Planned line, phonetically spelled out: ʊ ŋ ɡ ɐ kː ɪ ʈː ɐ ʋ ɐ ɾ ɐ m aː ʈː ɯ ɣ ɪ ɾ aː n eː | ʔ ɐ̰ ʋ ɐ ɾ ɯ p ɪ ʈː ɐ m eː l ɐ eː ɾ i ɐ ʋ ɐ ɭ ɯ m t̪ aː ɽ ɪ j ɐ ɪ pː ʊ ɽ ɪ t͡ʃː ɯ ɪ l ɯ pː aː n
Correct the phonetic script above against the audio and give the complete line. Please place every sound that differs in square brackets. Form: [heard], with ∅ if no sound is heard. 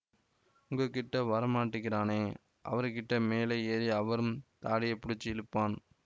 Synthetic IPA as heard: ʊ ŋ ɡ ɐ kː ɪ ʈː ɐ ʋ ɐ ɾ ɐ m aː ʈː ɯ ɣ ɪ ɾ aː n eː | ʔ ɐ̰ ʋ ɐ ɾ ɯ [k] ɪ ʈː ɐ m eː l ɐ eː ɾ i ɐ ʋ ɐ [ɾ] ɯ m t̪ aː ɽ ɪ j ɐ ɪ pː ʊ ɽ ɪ t͡ʃː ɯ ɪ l ɯ pː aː n